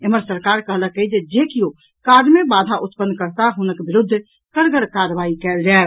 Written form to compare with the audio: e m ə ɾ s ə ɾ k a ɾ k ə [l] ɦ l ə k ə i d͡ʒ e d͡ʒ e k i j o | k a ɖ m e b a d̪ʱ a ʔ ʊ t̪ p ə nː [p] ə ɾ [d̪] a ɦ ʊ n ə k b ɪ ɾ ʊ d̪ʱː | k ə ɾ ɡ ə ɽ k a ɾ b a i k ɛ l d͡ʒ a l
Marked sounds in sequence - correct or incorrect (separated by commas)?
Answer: incorrect, incorrect, incorrect